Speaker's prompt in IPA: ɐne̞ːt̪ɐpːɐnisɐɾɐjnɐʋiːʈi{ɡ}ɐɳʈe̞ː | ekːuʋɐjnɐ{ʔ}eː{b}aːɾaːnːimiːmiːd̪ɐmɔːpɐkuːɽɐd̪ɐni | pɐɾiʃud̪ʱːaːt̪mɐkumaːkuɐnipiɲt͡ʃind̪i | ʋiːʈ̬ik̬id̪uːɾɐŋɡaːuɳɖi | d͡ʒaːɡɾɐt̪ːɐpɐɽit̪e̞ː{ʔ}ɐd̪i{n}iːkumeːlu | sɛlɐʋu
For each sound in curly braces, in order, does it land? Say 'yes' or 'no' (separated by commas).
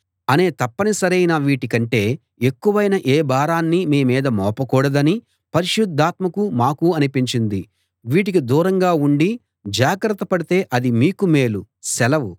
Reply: no, yes, yes, yes, no